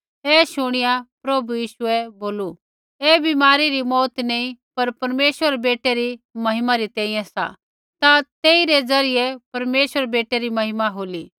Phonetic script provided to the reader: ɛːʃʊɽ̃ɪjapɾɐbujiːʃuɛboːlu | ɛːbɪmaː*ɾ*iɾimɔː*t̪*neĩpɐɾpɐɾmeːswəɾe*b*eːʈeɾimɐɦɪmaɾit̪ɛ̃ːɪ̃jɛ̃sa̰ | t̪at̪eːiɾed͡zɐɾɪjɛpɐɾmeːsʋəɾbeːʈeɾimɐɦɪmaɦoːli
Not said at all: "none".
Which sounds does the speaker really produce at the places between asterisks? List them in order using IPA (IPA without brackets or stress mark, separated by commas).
ɾ, t̪, b